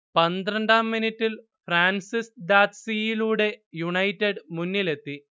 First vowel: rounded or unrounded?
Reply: unrounded